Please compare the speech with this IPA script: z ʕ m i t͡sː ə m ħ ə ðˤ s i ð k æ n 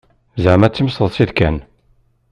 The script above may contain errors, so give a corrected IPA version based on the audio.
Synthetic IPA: z ʕ m æ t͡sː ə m s ə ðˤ s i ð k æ n